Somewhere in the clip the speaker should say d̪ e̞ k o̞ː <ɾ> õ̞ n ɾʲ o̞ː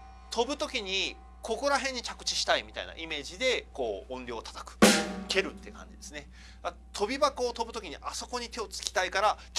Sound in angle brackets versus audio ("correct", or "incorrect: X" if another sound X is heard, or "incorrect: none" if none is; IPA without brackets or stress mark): incorrect: none